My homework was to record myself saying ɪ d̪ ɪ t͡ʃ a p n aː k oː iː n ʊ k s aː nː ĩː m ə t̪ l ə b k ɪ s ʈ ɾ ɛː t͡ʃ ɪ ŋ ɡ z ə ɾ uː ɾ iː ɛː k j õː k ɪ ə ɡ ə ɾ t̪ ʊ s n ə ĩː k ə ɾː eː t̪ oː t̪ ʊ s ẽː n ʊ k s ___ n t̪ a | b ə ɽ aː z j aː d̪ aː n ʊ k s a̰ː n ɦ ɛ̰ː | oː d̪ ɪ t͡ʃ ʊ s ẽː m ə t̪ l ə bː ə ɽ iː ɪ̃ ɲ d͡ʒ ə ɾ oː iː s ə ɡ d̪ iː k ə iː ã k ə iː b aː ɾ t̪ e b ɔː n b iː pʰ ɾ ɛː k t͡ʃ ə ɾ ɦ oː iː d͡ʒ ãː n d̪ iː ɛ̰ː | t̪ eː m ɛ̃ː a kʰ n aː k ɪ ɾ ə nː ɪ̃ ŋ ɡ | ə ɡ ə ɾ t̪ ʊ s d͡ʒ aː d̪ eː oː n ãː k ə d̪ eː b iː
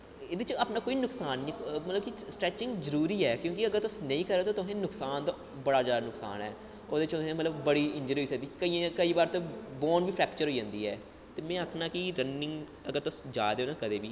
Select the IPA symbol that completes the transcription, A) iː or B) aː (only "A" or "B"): B